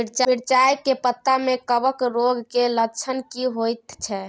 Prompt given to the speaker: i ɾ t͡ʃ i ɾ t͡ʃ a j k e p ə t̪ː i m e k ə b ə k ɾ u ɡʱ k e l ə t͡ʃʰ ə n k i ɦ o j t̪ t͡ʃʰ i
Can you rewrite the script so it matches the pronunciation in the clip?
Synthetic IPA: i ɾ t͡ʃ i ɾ t͡ʃ a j k e p ə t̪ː a m e k ə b ə k ɾ o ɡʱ k e l ə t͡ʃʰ ə n k i ɦ o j t̪ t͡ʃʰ ɛ